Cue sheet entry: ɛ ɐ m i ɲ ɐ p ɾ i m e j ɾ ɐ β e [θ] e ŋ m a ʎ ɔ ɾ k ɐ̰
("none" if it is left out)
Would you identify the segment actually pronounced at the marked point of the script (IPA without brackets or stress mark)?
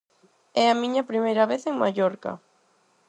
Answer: θ